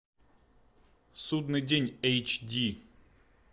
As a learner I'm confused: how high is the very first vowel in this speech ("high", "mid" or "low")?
high